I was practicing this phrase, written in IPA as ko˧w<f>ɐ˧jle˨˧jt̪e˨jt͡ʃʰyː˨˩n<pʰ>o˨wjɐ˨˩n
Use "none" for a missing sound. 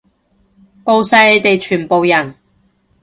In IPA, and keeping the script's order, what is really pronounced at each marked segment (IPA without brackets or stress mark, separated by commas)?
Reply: s, p